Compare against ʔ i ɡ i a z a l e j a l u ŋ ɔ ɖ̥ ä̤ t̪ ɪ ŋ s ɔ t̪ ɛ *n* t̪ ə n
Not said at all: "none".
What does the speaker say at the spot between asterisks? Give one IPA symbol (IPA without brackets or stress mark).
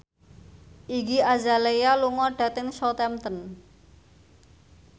m